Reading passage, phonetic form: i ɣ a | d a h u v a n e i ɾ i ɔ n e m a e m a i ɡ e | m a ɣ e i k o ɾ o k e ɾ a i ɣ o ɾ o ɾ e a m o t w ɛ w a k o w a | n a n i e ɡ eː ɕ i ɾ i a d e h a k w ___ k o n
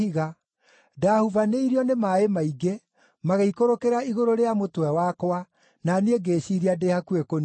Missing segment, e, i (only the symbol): e